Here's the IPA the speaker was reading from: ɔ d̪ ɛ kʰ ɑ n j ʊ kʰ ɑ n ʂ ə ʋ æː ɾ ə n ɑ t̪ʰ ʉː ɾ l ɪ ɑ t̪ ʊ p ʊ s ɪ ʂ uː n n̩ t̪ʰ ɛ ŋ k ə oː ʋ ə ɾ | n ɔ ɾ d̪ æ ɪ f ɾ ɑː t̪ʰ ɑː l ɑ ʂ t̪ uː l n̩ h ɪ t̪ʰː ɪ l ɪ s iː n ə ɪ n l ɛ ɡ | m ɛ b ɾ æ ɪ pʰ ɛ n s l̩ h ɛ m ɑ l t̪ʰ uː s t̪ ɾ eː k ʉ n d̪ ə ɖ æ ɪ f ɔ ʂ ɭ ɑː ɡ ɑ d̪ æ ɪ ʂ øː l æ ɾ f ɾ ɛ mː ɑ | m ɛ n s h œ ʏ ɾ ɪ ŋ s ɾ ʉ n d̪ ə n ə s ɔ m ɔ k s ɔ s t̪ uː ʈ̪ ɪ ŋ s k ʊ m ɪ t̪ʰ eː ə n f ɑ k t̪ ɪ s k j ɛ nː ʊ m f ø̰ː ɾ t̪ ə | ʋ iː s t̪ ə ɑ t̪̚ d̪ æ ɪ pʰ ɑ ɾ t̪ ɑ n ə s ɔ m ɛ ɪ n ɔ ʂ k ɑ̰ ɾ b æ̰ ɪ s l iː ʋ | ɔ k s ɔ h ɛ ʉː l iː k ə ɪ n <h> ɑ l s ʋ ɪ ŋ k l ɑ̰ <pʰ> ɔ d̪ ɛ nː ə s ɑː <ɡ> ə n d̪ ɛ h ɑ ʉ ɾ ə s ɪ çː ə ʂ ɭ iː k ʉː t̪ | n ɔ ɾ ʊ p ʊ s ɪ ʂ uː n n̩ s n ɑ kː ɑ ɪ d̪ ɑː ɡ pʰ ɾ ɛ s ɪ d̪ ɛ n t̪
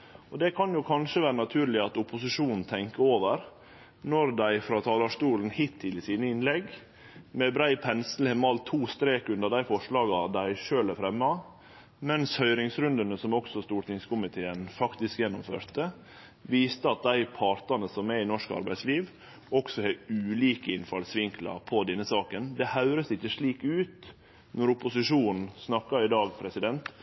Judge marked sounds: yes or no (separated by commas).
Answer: no, yes, no